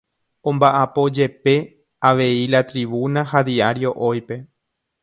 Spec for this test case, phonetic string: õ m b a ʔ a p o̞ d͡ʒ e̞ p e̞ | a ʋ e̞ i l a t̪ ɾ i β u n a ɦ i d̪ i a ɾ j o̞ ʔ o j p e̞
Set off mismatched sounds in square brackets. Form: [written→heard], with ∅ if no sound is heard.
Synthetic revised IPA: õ m b a ʔ a p o̞ d͡ʒ e̞ p e̞ | a ʋ e̞ i l a t̪ ɾ i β u n a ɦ [i→a] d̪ i a ɾ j o̞ ʔ o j p e̞